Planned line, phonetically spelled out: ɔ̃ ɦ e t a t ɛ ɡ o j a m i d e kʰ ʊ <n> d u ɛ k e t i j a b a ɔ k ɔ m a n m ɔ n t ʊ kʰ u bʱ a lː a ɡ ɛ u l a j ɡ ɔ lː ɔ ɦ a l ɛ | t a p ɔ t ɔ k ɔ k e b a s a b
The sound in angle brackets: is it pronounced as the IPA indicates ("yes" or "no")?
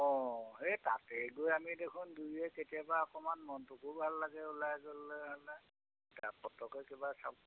yes